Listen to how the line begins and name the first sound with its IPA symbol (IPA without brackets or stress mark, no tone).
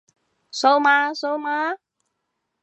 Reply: s